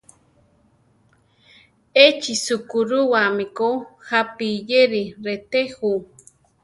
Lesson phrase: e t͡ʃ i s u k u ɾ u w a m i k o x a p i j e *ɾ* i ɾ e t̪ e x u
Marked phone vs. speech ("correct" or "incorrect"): correct